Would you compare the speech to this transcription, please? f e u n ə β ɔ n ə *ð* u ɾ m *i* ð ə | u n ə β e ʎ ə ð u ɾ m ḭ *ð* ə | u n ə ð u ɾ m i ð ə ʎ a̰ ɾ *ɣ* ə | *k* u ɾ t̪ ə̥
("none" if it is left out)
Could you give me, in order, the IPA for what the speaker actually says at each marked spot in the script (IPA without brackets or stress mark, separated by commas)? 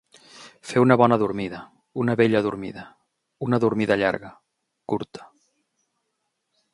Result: ð, i, ð, ɣ, k